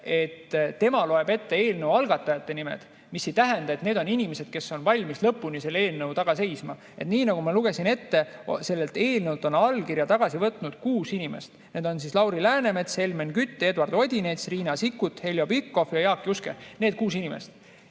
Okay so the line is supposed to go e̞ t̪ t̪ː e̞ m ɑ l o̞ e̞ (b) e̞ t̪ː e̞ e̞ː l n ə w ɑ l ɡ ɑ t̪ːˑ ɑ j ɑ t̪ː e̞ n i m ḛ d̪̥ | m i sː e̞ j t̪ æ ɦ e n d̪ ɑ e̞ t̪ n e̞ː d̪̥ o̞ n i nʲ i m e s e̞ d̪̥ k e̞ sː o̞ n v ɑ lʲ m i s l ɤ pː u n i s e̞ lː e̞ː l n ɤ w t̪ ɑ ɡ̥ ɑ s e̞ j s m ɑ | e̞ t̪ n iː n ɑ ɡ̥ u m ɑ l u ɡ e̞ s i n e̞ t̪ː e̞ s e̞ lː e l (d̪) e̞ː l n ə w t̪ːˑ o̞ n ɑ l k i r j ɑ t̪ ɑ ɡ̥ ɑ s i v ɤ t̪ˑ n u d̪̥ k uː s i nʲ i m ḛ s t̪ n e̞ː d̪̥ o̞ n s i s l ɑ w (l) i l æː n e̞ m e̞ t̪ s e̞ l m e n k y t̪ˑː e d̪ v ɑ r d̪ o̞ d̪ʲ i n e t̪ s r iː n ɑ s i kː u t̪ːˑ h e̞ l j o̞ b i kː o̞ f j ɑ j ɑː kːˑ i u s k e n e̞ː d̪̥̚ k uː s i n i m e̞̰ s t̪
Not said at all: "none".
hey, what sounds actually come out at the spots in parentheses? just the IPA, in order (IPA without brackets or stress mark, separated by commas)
b, t̪, ɾ